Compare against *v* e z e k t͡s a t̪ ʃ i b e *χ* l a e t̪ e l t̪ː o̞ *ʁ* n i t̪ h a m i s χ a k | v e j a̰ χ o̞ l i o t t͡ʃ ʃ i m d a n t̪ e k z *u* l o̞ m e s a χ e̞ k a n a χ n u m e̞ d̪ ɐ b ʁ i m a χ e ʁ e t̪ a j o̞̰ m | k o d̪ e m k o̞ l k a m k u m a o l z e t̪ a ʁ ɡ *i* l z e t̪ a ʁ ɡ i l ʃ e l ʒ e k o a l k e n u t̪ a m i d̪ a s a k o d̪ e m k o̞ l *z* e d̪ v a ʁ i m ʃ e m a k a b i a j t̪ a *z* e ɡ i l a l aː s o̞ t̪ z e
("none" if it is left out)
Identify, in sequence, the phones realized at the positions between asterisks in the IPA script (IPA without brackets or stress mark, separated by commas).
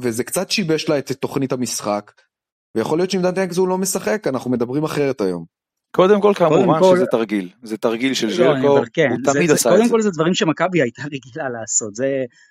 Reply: v, ʃ, χ, u, i, z, ʁ